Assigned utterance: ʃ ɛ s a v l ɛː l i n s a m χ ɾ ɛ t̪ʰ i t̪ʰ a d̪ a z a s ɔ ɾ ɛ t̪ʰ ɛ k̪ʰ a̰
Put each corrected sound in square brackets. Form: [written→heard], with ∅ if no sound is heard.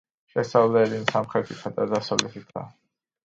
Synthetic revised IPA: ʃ ɛ s a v l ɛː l i n s a m χ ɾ ɛ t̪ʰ i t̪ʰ a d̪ a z a s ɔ [ɾ→l] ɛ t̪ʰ [ɛ→i] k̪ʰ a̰